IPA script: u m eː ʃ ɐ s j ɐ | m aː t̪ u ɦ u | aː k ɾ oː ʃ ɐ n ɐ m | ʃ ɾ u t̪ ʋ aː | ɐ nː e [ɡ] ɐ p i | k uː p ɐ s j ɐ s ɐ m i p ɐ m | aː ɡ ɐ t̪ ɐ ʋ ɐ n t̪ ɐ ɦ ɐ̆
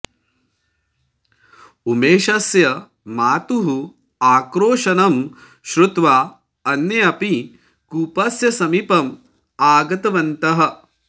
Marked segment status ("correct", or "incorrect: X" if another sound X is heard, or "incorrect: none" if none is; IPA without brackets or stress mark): incorrect: none